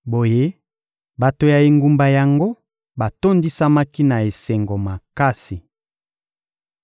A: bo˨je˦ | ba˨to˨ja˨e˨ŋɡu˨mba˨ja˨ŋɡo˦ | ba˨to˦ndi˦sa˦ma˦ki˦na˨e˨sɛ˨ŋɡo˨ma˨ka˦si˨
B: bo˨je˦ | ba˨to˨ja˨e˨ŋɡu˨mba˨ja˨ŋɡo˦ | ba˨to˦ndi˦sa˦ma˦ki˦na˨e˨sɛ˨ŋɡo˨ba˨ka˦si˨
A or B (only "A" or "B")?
A